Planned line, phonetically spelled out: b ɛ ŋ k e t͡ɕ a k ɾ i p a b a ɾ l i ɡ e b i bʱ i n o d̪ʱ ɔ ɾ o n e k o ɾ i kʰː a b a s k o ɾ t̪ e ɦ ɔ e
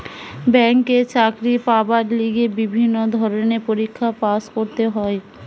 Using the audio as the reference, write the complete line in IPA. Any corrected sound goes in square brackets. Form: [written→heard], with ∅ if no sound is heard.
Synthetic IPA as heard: b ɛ ŋ k e t͡ɕ a k ɾ i p a b a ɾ l i ɡ e b i bʱ i [n→nː] o d̪ʱ ɔ ɾ o n e [k→p] o ɾ i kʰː a [b→p] a s k o ɾ t̪ e ɦ ɔ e